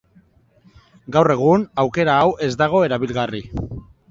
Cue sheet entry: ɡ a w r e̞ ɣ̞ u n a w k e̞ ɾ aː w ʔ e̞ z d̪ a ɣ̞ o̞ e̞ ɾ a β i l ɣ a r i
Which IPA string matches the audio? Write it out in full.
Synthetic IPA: ɡ a w r e̞ ɣ̞ u n a w k e̞ ɾ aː w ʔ e̞ z d̪ a ɣ̞ o̞ e̞ ɾ a β i l ɣ a r i